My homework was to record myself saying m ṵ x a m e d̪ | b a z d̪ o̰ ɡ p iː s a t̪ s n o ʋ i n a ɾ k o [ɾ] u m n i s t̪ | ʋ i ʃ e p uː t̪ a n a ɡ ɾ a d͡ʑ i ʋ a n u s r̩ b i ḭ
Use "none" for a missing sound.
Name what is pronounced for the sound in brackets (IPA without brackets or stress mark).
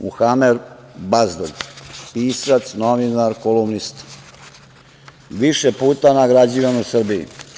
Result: l